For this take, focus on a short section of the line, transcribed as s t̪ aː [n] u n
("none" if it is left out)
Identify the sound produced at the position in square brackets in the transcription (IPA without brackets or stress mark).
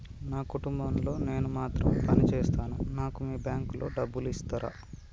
n